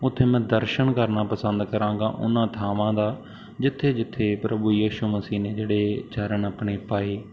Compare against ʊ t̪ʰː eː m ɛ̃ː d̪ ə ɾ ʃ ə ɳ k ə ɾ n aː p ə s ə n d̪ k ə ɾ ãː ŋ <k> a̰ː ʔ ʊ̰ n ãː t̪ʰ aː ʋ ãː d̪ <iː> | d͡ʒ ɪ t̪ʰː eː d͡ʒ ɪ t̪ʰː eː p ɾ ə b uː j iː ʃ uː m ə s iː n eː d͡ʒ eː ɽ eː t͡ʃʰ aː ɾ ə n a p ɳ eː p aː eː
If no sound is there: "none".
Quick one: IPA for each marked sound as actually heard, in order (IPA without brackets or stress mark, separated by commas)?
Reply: ɡ, aː